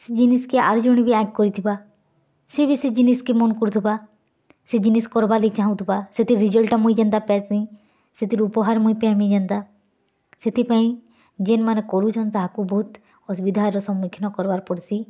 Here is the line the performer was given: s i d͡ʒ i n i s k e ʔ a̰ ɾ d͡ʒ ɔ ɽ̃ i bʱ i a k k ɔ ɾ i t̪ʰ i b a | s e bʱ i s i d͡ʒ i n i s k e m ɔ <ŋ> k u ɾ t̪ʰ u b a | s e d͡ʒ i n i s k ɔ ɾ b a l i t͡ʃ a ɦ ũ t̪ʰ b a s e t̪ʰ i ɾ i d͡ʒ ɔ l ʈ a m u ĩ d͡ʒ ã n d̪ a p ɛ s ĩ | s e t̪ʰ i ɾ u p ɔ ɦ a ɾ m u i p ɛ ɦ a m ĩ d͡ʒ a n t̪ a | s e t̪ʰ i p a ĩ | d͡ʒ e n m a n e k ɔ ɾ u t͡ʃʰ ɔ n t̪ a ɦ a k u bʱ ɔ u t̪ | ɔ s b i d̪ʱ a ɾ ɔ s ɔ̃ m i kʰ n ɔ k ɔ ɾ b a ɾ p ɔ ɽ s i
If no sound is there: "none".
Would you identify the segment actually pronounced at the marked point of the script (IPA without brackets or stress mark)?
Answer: n